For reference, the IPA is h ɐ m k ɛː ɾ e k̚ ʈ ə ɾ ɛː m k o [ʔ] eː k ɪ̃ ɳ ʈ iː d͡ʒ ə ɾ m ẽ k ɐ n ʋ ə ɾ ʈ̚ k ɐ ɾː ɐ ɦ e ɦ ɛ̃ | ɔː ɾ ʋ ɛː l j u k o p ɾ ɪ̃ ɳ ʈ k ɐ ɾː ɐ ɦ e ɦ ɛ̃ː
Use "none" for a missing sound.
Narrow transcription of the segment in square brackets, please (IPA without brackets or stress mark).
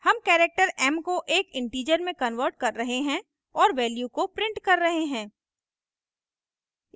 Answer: ʔ